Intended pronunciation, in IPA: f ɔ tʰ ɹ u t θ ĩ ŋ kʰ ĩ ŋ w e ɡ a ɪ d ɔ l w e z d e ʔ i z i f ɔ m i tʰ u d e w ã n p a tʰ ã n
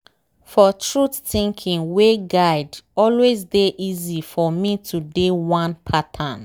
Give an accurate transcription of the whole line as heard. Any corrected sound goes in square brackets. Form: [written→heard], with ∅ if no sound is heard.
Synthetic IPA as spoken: f ɔ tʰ ɹ u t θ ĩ ŋ kʰ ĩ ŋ w e ɡ a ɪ d ɔ l w e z d e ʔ i z i f ɔ m i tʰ u d e w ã n [p→pʰ] a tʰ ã n

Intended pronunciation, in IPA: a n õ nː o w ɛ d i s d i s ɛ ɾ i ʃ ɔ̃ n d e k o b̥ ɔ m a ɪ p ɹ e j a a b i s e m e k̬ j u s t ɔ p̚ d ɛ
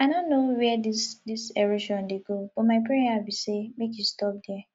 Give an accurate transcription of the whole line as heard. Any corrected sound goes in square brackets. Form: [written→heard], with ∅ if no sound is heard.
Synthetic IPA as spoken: a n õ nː o w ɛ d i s d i s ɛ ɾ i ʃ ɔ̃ n d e [k→ɡ] o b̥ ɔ m a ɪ p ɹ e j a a b i s e m e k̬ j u s t ɔ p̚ d ɛ

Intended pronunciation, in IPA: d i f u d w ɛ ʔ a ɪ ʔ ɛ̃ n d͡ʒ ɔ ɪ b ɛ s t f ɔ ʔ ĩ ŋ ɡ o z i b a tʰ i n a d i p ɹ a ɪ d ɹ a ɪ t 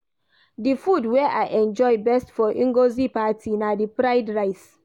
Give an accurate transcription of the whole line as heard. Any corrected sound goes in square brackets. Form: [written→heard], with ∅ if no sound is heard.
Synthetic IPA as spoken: d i f u d w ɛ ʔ a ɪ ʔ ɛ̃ n d͡ʒ ɔ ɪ b ɛ s t f ɔ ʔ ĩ ŋ ɡ o z i [b→p] a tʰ i n a d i p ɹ a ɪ d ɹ a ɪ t

